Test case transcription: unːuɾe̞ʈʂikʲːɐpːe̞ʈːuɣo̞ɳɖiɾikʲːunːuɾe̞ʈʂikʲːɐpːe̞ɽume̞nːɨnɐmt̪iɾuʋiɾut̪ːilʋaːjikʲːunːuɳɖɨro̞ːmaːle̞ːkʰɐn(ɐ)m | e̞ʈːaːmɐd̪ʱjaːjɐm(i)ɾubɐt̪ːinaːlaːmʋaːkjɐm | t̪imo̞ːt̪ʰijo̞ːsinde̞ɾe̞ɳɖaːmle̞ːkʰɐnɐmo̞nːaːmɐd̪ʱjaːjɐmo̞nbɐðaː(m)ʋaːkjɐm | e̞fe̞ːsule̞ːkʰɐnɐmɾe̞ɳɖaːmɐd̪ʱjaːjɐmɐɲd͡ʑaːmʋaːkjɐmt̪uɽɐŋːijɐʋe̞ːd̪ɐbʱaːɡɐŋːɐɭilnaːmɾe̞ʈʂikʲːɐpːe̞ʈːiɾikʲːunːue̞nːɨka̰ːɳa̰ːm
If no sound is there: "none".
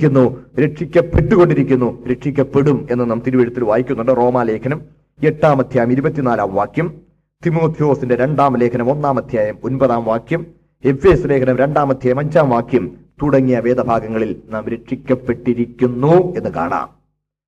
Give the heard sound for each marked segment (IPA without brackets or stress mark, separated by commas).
ɐ, i, m